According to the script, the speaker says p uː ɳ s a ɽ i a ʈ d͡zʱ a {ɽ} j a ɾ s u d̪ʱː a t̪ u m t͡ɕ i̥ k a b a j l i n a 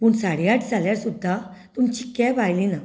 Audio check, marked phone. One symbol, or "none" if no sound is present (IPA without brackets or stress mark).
l